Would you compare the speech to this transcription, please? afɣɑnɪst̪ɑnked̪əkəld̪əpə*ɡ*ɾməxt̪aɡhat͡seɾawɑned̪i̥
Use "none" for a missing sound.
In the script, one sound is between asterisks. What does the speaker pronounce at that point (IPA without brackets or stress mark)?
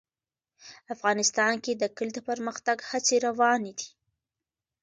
none